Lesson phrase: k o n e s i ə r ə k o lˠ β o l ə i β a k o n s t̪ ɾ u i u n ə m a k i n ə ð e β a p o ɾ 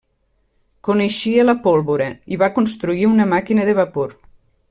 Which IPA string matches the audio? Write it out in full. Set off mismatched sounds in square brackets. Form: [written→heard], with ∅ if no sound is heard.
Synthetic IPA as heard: k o n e [s→ʃ] i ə [r→l] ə [k→p] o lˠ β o [l→ɾ] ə i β a k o n s t̪ ɾ u i u n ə m a k i n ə ð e β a p o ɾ